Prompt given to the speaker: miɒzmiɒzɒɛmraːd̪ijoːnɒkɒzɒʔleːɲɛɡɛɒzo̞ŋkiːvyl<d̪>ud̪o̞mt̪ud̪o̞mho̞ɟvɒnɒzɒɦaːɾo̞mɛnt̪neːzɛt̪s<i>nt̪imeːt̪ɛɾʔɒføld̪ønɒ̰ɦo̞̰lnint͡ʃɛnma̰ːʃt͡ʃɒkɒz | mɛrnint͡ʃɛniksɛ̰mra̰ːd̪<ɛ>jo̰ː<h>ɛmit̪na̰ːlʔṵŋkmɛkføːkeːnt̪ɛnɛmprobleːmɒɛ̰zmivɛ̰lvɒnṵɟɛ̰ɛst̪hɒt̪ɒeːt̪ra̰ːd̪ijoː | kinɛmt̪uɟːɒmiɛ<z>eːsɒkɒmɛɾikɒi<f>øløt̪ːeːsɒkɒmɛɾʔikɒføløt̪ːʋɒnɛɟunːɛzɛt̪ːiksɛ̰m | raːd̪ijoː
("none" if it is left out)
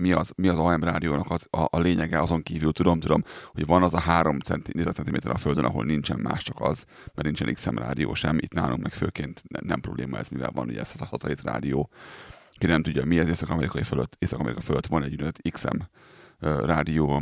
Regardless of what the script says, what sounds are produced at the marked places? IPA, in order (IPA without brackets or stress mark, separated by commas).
t̪, ɛ, i, ʃ, z, f